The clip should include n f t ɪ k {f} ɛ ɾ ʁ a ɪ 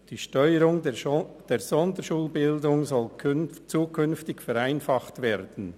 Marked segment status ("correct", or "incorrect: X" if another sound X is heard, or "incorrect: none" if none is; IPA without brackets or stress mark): correct